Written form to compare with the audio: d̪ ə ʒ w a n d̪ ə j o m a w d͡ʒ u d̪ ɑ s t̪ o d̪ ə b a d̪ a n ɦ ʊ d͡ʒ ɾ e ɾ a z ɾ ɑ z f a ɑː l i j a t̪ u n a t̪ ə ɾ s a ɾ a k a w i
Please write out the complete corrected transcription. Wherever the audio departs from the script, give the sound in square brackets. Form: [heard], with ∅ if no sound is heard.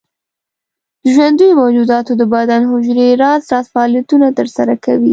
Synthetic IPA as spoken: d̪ ə ʒ w a n d̪ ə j o m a w d͡ʒ u d̪ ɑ [∅] t̪ o d̪ ə b a d̪ a n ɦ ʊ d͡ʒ ɾ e ɾ [ɑ] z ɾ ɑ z f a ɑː l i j a t̪ u n a t̪ ə ɾ s a ɾ a k a w i